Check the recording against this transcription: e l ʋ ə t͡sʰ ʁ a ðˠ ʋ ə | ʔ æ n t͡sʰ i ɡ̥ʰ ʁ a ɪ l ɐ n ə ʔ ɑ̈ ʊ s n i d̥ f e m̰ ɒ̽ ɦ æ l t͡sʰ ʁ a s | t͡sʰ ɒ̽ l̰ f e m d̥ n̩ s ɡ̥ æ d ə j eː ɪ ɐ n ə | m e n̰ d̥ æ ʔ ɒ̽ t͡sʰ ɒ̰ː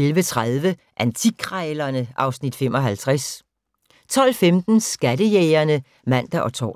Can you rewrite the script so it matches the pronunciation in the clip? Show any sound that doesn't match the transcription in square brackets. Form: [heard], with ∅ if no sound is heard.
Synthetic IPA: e l ʋ ə t͡sʰ ʁ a ðˠ ʋ ə | ʔ æ n t͡sʰ i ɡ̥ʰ ʁ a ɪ l ɐ n ə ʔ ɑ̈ ʊ s n i d̥ f e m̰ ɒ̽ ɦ æ l t͡sʰ ʁ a s | t͡sʰ ɒ̽ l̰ f e m d̥ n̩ s ɡ̥ æ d ə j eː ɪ ɐ n ə | m [æ] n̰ d̥ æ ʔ ɒ̽ t͡sʰ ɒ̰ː

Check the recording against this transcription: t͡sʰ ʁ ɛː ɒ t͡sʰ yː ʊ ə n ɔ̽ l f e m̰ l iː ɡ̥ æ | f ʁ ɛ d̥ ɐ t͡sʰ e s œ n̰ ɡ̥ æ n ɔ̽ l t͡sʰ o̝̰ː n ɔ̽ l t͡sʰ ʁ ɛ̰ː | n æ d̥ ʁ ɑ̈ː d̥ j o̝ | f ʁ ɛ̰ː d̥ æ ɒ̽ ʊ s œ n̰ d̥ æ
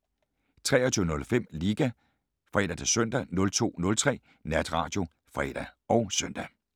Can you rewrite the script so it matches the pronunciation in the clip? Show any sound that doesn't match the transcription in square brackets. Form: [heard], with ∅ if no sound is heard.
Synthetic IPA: t͡sʰ ʁ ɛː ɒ t͡sʰ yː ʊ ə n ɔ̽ l f e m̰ l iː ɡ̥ æ | f ʁ ɛ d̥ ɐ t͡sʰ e s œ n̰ [d̥] æ n ɔ̽ l t͡sʰ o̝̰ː n ɔ̽ l t͡sʰ ʁ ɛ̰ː | n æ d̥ ʁ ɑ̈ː d̥ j o̝ | f ʁ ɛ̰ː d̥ æ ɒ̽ ʊ s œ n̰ d̥ æ

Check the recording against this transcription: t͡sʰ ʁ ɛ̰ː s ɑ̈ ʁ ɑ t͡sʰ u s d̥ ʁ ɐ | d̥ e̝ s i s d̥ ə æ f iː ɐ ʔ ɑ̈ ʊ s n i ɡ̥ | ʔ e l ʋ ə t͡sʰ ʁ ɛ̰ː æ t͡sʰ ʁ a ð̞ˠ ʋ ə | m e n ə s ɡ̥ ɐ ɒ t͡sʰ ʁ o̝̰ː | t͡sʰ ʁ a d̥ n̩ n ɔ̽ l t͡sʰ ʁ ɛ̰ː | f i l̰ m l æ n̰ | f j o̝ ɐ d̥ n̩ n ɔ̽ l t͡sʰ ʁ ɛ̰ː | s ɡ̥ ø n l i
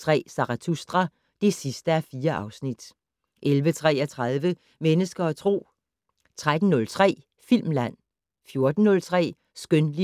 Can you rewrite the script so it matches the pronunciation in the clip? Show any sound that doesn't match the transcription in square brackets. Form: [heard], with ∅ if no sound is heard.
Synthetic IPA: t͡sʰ ʁ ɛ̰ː s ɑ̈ ʁ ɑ t͡sʰ u s d̥ ʁ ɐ | d̥ e̝ s i s d̥ ə æ f iː ɐ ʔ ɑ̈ ʊ s n i [d̥] | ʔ e l ʋ ə t͡sʰ ʁ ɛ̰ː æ t͡sʰ ʁ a ð̞ˠ ʋ ə | m e n ə s ɡ̥ ɐ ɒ t͡sʰ ʁ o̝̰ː | t͡sʰ ʁ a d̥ n̩ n ɔ̽ l t͡sʰ ʁ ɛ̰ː | f i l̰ m l æ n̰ | f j o̝ ɐ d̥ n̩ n ɔ̽ l t͡sʰ ʁ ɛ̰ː | s ɡ̥ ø n l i

